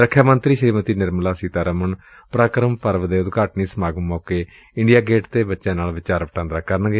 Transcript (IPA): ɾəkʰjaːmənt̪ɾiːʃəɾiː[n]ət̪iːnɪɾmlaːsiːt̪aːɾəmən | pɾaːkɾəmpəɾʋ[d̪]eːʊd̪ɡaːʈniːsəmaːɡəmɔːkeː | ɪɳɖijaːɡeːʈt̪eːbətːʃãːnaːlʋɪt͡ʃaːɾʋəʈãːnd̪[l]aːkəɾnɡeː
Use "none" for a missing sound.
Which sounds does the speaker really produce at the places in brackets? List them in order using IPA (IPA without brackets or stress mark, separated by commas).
m, d̪, ɾ